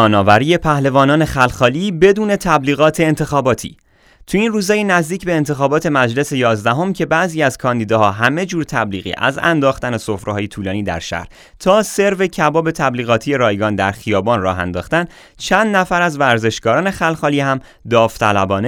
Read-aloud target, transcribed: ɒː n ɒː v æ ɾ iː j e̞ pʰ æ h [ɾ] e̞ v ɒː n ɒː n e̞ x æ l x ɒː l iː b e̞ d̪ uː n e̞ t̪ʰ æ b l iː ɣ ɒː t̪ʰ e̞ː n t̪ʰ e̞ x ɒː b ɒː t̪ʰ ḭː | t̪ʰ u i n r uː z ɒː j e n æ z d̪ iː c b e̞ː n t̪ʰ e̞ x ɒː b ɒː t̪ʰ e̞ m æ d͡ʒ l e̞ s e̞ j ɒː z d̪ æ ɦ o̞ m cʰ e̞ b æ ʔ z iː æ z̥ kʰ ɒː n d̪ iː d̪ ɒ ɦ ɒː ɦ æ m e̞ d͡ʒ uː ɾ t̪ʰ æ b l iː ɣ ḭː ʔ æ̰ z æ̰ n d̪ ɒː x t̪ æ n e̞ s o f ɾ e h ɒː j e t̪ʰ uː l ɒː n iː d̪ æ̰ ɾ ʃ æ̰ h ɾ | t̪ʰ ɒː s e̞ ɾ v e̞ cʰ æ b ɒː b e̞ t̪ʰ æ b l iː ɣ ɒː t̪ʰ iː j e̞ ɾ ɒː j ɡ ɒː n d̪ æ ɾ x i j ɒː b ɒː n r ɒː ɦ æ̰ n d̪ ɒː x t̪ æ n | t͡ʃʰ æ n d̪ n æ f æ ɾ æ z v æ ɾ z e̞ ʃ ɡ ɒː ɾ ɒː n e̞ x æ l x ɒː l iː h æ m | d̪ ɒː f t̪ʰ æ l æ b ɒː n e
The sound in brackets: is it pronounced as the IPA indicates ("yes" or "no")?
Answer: no